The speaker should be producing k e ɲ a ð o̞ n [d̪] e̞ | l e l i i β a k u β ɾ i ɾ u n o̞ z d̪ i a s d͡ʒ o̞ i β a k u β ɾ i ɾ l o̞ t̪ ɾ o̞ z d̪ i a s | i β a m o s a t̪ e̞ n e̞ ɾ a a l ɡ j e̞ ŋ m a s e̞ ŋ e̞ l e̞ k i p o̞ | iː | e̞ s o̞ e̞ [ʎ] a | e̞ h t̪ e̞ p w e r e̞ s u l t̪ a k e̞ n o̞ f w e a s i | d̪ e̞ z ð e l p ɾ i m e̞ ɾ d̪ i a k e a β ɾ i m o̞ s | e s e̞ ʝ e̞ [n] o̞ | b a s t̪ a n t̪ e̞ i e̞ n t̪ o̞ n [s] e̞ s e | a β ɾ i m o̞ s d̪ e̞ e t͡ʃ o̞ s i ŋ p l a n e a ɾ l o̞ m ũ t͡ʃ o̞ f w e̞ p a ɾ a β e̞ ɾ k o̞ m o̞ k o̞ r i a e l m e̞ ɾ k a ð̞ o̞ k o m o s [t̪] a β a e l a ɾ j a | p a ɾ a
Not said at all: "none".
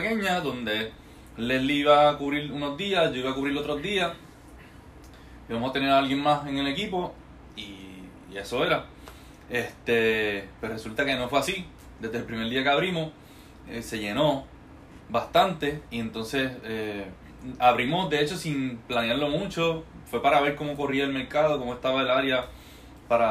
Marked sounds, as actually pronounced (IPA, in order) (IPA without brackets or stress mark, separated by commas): d̪, ɾ, n, s, t̪